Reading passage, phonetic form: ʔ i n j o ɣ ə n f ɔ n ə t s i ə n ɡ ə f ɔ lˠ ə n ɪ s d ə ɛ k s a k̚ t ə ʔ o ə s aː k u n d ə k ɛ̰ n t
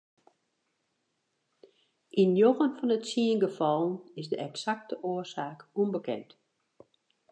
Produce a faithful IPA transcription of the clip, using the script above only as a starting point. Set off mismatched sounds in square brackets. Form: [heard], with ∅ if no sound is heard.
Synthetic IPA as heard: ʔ i n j o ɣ ə n f ɔ n ə t s i ə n ɡ ə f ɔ lˠ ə n ɪ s d ə ɛ k s a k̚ t ə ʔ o ə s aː k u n [b] ə k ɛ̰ n t

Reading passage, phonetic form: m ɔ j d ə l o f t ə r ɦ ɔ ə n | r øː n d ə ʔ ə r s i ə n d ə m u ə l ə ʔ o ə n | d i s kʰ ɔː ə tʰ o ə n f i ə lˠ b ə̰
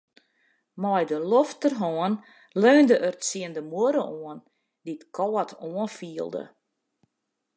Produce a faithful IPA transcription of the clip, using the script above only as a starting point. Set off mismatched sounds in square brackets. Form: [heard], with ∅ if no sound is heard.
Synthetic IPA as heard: m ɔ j d ə l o f t ə r ɦ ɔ ə n | [l] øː n d ə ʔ ə r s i ə n d ə m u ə [ɾ] ə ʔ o ə n | d i [t] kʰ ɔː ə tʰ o ə n f i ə lˠ [d] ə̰

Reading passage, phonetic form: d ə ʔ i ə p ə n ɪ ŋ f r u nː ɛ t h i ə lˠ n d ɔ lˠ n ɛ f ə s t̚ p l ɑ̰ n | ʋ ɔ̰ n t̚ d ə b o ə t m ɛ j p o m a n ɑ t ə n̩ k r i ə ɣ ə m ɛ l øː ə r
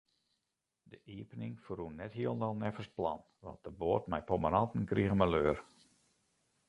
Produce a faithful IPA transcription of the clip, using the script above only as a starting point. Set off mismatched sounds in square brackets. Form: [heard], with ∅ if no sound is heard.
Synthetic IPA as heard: d ə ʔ i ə p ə n ɪ ŋ f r u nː ɛ t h i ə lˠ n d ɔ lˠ n ɛ f ə s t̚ p l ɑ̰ n | ʋ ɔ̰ n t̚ d ə b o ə t m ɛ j p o m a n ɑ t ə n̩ k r i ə ɣ ə m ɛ l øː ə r

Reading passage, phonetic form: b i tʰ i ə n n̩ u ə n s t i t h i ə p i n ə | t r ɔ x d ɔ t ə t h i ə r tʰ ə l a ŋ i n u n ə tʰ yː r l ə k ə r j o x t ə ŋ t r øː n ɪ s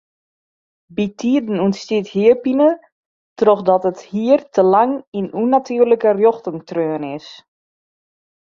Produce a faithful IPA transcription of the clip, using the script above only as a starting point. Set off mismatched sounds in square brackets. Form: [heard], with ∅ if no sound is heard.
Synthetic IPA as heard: b i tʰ i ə [d] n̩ u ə n s t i t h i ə p i n ə | t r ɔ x d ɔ t ə t h i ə r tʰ ə l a ŋ i n u n [a] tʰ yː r l ə k ə r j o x t ə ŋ t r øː n ɪ s

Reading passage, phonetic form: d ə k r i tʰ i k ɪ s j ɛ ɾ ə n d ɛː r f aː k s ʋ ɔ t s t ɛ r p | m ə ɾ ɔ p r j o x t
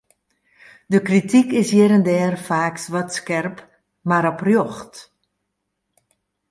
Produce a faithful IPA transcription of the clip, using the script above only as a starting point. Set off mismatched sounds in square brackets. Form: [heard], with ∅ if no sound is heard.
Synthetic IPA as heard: d ə k r i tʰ i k ɪ s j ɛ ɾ ə n d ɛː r f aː k s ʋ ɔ t s [k] ɛ r p | m [a] ɾ ɔ p r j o x t

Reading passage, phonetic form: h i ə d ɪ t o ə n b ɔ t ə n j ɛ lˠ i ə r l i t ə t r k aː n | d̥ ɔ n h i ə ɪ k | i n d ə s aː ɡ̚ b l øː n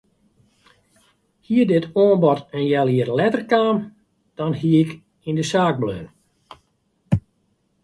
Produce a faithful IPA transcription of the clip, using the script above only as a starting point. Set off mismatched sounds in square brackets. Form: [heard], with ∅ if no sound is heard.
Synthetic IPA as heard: h i ə d ɪ t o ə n b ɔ t ə n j ɛ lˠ i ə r l [ɛ] t ə [∅] r k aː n | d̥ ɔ n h i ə ɪ k | i n d ə s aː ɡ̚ b l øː n

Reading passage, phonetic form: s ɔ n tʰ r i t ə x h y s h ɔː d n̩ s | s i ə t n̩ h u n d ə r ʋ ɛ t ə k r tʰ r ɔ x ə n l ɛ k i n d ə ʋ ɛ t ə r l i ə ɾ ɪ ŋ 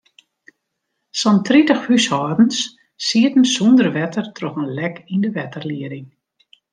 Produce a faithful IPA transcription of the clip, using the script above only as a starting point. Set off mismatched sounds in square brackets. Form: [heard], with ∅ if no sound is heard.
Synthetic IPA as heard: s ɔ n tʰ r i t ə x h y s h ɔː d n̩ s | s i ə t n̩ [s] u n d ə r ʋ ɛ t ə [∅] r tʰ r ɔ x ə n l ɛ k i n d ə ʋ ɛ t ə r l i ə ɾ ɪ ŋ

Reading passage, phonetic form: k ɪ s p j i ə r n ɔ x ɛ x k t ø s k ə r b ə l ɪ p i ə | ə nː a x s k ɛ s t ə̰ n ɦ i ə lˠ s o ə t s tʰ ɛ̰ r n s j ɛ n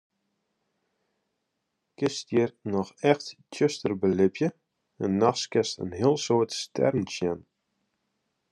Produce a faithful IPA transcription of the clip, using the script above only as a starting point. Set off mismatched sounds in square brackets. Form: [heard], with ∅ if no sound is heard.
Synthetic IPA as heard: k ɪ s [t] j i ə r n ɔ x ɛ x [t] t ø s [t] ə r b ə l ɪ p [j] ə | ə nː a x s k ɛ s t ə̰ n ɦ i ə lˠ s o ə t s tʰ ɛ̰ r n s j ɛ n

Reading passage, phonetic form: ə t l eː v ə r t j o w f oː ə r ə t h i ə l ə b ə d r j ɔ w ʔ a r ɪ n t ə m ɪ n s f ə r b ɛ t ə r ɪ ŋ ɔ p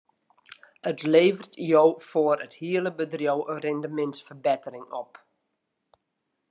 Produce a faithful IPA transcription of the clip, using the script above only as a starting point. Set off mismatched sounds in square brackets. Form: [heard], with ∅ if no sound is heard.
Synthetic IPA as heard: ə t l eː v ə r t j o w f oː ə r ə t h i ə l ə b ə d r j [o] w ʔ [ə] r ɪ n [d] ə m ɪ n s f ə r b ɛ t ə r ɪ ŋ ɔ p

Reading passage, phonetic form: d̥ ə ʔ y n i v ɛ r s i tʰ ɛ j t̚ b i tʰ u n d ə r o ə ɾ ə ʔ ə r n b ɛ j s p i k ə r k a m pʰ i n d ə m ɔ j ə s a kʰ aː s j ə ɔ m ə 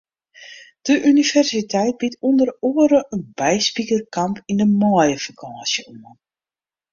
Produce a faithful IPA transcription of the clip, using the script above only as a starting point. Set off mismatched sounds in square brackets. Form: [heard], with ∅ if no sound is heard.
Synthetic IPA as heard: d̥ ə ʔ y n i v ɛ r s i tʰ ɛ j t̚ b i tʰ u n d ə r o ə ɾ ə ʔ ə [∅] n b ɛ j s p i k ə r k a m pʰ i n d ə m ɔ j ə [f] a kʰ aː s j ə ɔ m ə

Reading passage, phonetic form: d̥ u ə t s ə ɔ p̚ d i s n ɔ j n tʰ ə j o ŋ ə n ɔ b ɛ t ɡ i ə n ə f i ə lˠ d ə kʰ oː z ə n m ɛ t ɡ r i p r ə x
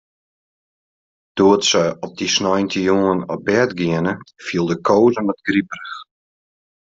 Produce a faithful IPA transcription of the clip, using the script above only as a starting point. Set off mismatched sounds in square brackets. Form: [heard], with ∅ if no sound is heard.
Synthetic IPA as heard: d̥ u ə t s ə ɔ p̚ d i s n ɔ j n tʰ ə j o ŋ ə n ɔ b ɛ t ɡ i ə n ə f i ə lˠ d ə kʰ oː z ə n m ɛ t ɡ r i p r ə x

